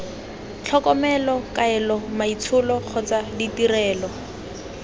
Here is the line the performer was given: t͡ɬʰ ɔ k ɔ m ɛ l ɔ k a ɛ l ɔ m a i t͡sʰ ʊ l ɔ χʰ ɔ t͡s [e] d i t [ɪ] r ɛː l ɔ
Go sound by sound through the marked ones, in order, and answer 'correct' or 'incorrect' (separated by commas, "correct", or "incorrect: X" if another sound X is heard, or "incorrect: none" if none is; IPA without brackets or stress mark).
incorrect: a, incorrect: i